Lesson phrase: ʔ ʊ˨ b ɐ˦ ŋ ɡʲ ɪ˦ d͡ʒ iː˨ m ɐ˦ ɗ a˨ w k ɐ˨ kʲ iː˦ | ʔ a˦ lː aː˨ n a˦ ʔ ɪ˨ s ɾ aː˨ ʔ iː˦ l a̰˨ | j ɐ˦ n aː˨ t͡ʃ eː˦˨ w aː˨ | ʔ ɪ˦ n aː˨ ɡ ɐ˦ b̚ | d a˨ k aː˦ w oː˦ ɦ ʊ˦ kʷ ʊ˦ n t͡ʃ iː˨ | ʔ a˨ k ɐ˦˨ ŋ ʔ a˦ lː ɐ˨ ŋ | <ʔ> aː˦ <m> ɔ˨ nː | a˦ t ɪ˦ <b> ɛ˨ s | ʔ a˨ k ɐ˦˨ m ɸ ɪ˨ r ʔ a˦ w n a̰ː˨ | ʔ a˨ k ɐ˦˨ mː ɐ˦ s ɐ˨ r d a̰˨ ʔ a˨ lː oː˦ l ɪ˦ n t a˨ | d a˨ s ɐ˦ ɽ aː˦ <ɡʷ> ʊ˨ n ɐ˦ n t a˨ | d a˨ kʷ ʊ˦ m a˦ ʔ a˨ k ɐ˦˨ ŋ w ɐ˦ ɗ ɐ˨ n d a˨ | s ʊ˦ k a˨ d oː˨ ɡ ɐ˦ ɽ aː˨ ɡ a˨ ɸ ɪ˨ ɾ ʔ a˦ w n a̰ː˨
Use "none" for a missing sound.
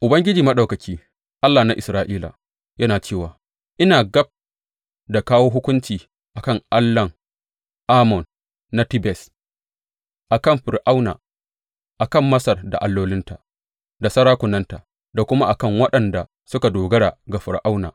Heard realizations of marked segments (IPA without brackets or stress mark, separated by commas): ʔ, m, b, kʷ